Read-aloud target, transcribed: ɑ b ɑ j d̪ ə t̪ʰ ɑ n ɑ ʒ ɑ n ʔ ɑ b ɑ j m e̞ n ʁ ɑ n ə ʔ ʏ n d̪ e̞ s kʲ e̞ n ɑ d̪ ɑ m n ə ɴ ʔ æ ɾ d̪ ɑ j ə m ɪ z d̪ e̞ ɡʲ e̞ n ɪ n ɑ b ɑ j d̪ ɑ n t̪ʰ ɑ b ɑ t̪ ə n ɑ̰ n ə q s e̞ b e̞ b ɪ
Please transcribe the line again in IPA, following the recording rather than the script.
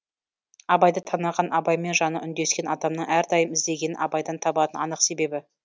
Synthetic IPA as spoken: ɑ b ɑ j d̪ ə t̪ʰ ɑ n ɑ ʁ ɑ n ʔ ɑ b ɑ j m e̞ n ʒ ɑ n ə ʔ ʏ n d̪ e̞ s kʲ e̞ n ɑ d̪ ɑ m n ə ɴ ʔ æ ɾ d̪ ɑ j ə m ɪ z d̪ e̞ ɡʲ e̞ n ɪ n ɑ b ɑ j d̪ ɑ n t̪ʰ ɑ b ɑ t̪ ə n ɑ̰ n ə q s e̞ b e̞ b ɪ